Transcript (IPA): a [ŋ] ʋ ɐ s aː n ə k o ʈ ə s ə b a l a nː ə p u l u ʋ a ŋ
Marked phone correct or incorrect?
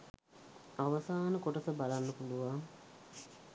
incorrect